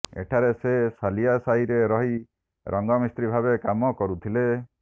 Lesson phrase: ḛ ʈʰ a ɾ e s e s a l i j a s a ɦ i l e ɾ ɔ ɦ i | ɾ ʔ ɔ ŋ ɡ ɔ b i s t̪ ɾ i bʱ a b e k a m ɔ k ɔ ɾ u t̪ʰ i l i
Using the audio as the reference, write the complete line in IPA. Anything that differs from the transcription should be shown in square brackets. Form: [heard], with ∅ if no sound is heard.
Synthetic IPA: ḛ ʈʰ a ɾ e s e s a l i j a s a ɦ i [ɾ] e ɾ ɔ ɦ i | ɾ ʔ ɔ ŋ ɡ ɔ [m] i s t̪ ɾ i bʱ a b e k a m ɔ k ɔ ɾ u t̪ʰ i l [e]